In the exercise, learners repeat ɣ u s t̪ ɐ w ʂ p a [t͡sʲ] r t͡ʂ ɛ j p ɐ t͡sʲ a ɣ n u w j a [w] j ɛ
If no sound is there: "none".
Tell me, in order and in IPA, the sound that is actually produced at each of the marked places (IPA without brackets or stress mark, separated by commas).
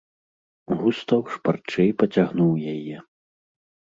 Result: none, none